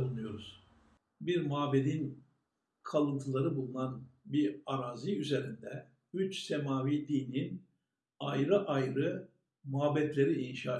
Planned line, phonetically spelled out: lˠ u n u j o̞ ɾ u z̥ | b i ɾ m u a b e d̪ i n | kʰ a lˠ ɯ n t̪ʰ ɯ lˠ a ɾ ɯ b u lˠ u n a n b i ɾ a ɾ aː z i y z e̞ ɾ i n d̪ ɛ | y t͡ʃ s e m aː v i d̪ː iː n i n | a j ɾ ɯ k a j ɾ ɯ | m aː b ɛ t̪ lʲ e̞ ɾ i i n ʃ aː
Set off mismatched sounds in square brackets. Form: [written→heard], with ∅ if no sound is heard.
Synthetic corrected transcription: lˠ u n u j o̞ ɾ u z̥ | b i ɾ m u a b e d̪ i n | kʰ a lˠ ɯ n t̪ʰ ɯ lˠ a ɾ ɯ b u lˠ u n a n b i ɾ a ɾ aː z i y z e̞ ɾ i n d̪ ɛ | y t͡ʃ s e m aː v i [d̪ː→d̪] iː n i n | a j ɾ ɯ [k→ʔ] a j ɾ ɯ | m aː b ɛ t̪ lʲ e̞ ɾ i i n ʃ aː